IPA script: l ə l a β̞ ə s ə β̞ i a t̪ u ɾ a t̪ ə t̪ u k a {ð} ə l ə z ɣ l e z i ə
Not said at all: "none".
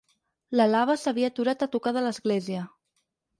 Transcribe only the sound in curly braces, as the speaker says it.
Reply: ð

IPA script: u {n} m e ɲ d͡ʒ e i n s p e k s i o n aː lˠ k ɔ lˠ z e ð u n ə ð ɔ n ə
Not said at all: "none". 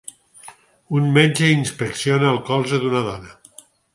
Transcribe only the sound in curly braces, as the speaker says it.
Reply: n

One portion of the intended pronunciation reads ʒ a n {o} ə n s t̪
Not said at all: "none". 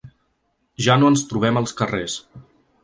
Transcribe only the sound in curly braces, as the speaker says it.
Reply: o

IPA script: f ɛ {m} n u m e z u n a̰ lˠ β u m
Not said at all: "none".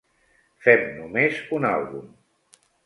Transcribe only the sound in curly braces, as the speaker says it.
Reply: m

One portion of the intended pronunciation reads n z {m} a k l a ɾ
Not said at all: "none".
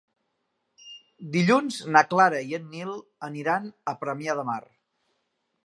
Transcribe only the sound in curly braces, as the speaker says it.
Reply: n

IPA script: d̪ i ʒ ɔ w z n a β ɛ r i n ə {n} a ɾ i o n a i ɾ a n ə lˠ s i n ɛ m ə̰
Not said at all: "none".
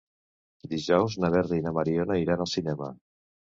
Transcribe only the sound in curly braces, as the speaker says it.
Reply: m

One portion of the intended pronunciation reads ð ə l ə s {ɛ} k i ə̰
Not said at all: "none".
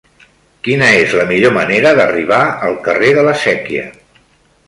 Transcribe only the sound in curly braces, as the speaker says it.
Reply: ɛ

